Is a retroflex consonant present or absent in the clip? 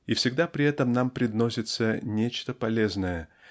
absent